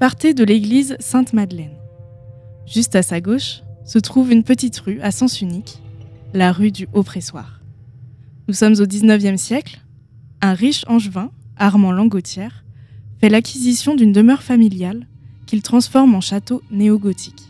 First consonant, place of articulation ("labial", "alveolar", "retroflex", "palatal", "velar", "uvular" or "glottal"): labial